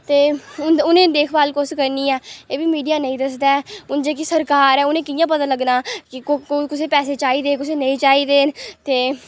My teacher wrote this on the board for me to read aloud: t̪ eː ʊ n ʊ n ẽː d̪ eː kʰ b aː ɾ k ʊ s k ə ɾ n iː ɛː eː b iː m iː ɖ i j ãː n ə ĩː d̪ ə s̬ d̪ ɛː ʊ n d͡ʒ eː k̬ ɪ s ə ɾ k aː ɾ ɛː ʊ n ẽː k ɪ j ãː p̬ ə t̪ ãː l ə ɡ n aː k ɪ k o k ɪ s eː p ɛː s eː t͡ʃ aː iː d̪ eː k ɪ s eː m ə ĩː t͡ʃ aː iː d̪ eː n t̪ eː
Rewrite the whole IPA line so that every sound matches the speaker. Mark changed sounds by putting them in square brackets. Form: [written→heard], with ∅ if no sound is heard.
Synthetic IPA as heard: t̪ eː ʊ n ʊ n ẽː d̪ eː kʰ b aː [ɾ→l] k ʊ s k ə ɾ n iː ɛː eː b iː m iː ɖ i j [ãː→aː] n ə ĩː d̪ ə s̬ d̪ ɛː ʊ n d͡ʒ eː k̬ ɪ s ə ɾ k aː ɾ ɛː ʊ n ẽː k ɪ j ãː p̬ ə t̪ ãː l ə ɡ n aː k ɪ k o k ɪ s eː p ɛː s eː t͡ʃ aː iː d̪ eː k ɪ s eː [m→n] ə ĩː t͡ʃ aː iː d̪ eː n t̪ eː